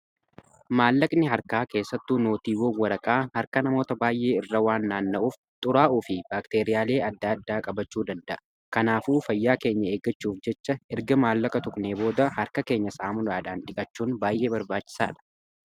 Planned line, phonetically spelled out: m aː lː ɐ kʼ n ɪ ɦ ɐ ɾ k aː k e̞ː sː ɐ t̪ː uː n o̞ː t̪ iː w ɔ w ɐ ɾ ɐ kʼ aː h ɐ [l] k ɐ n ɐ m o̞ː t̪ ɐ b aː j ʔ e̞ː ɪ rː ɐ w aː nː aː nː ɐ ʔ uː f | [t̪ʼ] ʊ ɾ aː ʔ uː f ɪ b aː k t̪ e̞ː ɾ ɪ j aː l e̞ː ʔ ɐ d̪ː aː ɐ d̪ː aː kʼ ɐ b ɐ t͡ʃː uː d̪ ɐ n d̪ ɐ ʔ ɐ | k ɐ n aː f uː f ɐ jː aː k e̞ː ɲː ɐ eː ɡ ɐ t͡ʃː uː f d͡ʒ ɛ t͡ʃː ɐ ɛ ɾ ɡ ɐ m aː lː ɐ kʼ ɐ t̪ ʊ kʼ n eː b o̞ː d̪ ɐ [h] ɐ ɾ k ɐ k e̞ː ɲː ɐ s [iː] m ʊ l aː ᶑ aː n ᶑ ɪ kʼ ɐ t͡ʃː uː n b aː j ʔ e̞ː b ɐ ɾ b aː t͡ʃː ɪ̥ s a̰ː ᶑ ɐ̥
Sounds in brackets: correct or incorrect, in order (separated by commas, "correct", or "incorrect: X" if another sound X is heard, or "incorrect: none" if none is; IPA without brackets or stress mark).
incorrect: ɾ, correct, correct, incorrect: aː